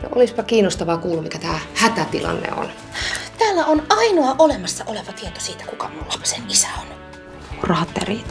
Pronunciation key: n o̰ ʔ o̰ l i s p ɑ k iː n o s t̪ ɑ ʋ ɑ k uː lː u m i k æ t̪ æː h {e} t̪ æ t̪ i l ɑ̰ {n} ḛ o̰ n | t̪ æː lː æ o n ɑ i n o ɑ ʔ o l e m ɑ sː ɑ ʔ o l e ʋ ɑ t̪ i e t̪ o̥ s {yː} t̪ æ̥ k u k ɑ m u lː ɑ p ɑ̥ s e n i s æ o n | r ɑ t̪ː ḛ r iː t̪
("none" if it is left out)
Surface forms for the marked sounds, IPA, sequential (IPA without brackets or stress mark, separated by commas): æ, nː, iː